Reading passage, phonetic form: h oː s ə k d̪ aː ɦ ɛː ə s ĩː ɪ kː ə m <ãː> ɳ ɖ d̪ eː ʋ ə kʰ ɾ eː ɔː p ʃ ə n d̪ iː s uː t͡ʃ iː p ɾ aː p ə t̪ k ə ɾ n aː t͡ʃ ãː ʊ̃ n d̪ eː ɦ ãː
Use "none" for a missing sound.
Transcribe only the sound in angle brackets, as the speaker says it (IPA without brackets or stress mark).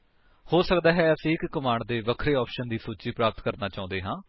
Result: aː